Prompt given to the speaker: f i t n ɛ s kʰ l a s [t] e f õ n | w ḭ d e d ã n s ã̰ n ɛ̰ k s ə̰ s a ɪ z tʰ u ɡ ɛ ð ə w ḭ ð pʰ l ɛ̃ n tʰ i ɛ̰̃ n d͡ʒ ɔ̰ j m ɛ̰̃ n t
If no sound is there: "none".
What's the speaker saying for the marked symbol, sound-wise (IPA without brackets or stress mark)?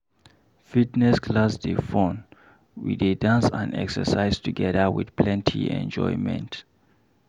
d